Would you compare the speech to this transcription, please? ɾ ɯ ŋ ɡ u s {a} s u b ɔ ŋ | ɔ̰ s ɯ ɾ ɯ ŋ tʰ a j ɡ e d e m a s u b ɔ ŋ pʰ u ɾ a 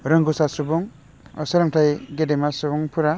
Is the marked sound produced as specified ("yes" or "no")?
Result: yes